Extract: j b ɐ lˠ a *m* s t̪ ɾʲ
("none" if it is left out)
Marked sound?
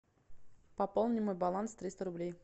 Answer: n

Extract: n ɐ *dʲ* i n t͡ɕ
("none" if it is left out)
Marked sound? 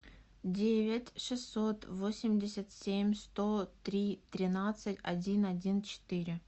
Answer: dʲ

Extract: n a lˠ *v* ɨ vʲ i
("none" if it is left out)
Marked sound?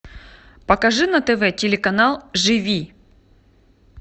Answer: ʐ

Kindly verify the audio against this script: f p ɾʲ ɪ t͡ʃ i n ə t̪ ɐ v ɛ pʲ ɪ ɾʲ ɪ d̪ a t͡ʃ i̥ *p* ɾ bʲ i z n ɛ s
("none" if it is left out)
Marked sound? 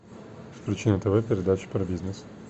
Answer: p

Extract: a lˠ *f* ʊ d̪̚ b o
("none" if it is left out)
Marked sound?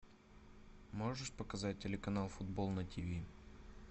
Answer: f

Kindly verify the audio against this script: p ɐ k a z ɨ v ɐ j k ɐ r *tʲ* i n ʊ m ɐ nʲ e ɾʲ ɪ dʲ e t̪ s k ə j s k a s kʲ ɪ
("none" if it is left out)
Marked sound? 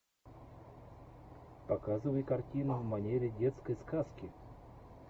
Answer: tʲ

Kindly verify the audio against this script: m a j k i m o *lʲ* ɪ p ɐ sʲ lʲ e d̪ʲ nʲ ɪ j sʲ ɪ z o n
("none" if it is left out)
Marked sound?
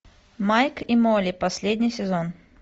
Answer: lʲ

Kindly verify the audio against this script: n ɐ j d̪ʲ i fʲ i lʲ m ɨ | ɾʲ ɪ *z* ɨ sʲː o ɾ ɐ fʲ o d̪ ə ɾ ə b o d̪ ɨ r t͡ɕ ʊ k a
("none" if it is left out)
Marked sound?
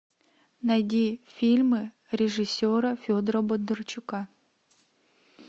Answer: ʐ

